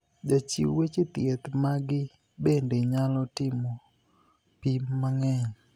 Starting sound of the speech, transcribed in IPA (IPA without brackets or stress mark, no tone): d͡ʒ